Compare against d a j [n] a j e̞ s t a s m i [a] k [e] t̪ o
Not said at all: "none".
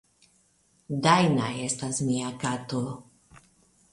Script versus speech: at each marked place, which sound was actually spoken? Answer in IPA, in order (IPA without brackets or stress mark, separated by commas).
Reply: n, a, a